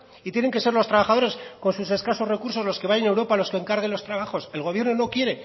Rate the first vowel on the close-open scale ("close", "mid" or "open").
close